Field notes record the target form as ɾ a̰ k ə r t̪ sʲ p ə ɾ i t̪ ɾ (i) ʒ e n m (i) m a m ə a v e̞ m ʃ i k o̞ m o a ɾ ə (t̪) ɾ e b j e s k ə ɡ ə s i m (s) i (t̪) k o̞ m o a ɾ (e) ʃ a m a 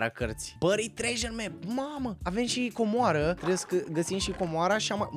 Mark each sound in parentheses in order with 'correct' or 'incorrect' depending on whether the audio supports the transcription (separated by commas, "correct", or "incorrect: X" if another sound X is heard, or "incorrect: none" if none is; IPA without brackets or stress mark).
incorrect: e, incorrect: e, correct, incorrect: ʃ, incorrect: none, incorrect: a